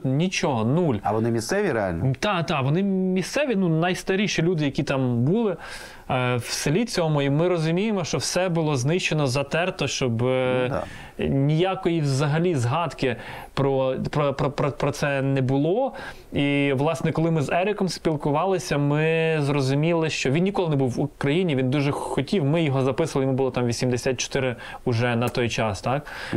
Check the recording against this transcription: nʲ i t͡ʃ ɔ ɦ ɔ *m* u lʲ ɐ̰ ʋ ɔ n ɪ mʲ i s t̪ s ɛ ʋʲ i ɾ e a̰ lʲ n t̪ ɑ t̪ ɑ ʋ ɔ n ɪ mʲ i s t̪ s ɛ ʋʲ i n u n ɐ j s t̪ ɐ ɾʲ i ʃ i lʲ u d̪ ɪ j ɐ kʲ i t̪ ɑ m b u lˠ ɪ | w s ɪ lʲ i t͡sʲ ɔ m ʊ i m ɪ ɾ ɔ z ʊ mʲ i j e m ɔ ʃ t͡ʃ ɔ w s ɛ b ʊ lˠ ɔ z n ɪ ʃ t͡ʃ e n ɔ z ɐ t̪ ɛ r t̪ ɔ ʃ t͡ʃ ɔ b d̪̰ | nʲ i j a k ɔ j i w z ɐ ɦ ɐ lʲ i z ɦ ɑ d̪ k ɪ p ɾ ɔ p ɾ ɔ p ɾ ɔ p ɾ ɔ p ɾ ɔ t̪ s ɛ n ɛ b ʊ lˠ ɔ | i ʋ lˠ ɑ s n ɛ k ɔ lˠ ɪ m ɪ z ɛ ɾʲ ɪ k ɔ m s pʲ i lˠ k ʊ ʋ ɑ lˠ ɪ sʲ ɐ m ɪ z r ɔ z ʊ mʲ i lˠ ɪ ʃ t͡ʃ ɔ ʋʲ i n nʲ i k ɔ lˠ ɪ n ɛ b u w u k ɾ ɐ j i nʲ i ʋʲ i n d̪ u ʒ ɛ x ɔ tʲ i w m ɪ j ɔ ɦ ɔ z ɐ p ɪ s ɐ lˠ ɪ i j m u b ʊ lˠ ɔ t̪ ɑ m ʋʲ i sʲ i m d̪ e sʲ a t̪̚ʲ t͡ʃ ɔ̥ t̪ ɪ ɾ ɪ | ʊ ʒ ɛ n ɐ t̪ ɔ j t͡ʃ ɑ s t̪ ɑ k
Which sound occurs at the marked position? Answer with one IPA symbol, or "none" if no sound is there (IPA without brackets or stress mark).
n